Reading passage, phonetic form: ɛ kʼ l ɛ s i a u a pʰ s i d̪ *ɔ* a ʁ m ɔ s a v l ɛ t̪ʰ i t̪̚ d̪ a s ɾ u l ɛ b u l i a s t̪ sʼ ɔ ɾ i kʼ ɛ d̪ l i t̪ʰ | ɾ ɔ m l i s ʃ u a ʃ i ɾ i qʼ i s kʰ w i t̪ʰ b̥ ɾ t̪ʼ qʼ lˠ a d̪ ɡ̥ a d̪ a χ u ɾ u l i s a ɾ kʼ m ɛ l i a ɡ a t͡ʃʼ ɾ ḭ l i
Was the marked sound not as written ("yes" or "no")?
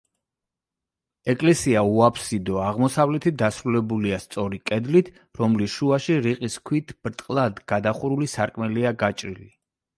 no